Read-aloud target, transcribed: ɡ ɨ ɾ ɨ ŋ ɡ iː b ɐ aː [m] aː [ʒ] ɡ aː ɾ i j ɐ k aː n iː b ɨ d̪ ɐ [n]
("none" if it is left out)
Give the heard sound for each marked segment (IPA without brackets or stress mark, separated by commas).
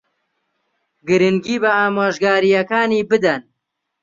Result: m, ʒ, n